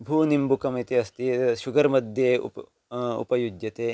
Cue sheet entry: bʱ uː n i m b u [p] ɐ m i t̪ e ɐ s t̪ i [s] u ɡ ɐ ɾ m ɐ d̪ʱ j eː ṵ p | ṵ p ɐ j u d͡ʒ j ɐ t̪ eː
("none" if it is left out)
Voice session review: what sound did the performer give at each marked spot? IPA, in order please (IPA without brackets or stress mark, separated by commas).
k, ʃ